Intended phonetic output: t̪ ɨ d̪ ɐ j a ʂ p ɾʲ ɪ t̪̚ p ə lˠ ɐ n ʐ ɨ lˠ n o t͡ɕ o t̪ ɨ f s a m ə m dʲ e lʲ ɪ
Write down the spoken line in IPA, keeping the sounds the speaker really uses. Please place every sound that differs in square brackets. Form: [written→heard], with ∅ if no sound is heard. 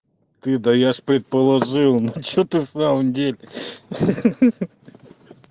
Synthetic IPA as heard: t̪ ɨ d̪ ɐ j a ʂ p ɾʲ ɪ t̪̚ p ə lˠ ɐ [n→∅] ʐ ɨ lˠ n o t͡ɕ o t̪ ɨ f s a m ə m dʲ e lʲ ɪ